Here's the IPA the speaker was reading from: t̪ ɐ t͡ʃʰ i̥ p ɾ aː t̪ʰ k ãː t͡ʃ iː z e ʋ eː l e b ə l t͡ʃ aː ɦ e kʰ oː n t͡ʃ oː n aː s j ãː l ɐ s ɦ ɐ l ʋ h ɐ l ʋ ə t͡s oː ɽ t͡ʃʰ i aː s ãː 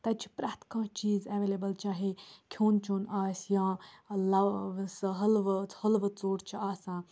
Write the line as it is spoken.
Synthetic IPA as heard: t̪ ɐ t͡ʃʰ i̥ p ɾ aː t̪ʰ k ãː t͡ʃ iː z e ʋ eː l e b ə l t͡ʃ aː ɦ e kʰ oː n t͡ʃ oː n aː s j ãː l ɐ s ɦ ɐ l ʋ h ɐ l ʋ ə t͡s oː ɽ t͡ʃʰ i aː s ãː